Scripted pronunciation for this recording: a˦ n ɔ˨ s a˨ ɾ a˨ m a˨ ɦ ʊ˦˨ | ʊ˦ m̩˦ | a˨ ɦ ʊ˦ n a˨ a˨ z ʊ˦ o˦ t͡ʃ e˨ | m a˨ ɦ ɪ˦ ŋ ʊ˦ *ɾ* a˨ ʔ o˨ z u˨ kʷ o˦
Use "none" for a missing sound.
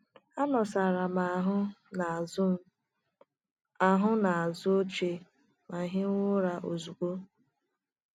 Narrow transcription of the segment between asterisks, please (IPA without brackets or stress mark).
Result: ɾ